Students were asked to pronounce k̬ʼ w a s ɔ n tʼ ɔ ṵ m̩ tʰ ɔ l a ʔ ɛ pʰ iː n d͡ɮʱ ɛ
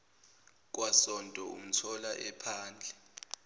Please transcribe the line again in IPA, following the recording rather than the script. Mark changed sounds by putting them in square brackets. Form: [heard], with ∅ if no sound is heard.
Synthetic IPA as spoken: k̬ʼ w a s ɔ n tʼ ɔ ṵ m̩ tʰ ɔ l a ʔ ɛ pʰ [aː] n d͡ɮʱ ɛ